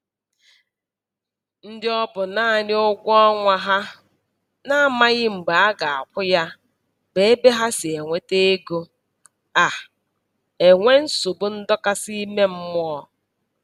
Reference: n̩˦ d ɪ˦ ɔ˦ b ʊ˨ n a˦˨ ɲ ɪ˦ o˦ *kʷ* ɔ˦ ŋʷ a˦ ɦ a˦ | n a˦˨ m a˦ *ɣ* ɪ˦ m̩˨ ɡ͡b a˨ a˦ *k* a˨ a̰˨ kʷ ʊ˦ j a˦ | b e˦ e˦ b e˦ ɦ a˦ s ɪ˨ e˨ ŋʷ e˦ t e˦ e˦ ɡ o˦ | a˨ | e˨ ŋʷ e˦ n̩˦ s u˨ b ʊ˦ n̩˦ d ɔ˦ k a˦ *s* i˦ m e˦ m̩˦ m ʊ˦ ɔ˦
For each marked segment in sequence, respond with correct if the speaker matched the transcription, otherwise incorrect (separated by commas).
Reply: incorrect, correct, incorrect, correct